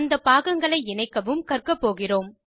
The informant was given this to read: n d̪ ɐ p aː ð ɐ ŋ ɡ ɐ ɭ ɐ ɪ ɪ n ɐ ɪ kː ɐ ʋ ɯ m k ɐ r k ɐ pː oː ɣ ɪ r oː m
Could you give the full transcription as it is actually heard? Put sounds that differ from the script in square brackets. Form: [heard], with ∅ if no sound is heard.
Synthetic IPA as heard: n d̪ ɐ p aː [ɣ] ɐ ŋ ɡ ɐ ɭ ɐ ɪ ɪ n ɐ ɪ kː ɐ ʋ ɯ m k ɐ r k ɐ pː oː ɣ ɪ r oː m